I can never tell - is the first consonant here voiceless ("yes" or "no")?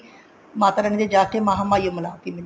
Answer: no